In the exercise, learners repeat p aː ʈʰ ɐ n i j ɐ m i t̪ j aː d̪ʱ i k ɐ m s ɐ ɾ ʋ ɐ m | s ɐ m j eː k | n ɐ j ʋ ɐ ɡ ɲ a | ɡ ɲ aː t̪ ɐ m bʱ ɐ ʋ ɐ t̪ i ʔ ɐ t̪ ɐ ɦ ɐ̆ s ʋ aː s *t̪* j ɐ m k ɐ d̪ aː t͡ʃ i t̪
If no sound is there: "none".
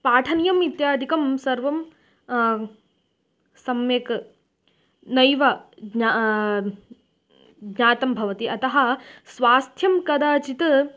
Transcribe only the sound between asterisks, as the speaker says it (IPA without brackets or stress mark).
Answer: t̪ʰ